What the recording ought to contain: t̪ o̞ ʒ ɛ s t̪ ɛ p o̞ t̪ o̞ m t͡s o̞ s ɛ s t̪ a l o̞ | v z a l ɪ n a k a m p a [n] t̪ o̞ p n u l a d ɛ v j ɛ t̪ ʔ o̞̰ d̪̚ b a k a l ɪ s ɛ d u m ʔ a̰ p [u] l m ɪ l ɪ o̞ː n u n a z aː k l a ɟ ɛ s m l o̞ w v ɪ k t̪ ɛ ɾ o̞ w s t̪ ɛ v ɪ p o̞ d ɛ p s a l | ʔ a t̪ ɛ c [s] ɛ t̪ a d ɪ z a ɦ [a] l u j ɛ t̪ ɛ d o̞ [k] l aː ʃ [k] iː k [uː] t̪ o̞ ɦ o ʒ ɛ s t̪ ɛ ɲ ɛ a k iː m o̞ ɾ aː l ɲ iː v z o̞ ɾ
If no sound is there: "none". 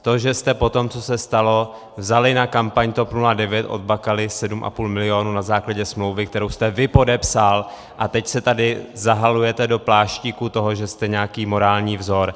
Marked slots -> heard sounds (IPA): ɲ, uː, s, a, p, c, u

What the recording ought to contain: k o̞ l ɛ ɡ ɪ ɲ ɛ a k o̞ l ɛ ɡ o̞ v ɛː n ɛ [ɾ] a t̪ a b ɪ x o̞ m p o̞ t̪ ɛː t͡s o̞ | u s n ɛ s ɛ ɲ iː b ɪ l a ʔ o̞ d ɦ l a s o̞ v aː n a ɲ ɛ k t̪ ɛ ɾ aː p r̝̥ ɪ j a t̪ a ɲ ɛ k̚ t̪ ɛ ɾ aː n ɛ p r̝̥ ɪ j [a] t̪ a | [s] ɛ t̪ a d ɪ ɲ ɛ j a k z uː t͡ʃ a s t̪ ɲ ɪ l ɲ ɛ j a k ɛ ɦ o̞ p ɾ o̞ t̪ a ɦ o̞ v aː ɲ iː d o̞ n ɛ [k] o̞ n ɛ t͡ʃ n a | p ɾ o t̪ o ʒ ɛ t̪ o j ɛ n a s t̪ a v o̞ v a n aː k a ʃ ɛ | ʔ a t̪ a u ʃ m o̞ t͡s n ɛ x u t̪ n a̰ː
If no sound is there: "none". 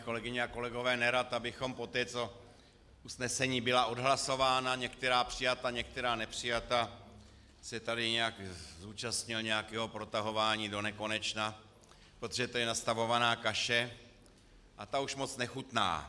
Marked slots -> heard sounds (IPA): ɾ, a, s, k

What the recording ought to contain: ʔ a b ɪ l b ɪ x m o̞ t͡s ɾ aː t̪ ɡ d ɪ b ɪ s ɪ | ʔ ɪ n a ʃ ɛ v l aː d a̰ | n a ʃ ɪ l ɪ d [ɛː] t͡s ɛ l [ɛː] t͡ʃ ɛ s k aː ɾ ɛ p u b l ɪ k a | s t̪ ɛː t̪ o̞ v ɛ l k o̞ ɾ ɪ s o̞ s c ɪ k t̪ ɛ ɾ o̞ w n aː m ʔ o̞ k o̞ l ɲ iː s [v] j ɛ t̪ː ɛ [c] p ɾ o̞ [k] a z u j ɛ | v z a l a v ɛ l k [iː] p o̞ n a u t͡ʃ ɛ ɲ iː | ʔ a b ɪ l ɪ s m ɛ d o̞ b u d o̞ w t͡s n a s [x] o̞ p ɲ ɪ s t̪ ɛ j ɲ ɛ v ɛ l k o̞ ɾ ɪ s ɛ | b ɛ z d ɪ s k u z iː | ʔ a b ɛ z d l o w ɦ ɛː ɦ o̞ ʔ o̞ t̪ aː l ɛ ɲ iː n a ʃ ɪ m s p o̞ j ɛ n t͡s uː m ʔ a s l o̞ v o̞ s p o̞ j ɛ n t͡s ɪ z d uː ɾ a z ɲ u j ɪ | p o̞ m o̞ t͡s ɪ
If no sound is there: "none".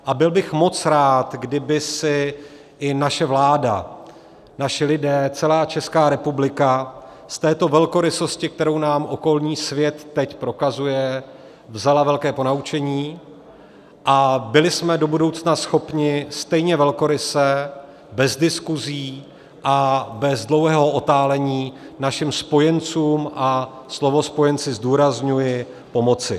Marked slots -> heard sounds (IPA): ɛː, aː, v, c, k, ɛː, x

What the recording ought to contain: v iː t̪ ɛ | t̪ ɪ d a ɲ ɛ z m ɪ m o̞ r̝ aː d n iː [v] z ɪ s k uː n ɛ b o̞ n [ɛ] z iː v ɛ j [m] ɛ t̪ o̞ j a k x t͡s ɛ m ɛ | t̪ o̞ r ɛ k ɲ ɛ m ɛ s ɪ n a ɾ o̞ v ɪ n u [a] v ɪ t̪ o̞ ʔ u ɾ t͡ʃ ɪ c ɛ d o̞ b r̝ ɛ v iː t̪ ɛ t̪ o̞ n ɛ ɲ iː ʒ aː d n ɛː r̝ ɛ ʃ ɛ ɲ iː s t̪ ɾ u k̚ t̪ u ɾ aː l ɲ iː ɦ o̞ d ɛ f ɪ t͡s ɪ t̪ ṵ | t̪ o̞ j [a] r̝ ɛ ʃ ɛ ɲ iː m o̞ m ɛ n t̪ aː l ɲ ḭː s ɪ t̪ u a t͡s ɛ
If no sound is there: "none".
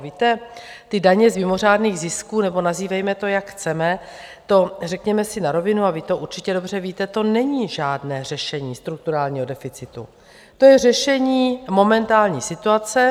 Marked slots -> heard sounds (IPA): ɣ, a, m, a, ɛ

